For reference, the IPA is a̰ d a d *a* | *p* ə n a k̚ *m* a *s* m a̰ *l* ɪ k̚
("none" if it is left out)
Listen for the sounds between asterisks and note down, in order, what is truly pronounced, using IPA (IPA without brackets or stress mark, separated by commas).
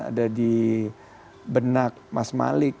i, b, m, s, l